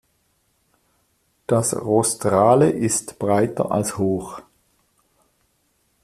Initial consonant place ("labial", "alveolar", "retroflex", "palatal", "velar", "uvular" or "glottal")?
alveolar